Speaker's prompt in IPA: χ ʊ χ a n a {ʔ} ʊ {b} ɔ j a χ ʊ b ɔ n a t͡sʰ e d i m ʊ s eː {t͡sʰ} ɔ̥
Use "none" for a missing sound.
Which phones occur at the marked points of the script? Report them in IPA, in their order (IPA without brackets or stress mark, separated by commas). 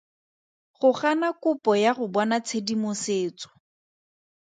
k, p, t͡s